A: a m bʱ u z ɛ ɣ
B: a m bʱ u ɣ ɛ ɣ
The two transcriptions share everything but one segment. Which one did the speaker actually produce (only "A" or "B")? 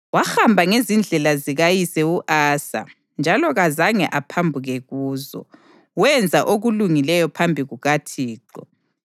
B